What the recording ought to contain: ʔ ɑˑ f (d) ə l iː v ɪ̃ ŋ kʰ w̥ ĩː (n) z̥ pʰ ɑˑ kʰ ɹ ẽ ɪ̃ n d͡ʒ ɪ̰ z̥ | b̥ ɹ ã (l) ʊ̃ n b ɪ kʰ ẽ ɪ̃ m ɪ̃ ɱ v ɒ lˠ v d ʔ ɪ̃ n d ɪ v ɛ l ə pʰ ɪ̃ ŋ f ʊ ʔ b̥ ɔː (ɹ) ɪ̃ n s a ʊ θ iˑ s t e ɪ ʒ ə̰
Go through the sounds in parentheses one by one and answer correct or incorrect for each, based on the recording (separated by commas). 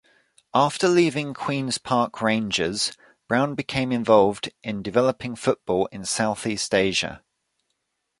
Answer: incorrect, correct, incorrect, incorrect